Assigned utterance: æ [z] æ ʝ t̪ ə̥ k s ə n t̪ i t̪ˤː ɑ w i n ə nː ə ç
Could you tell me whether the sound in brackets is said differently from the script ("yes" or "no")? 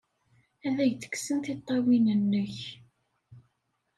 yes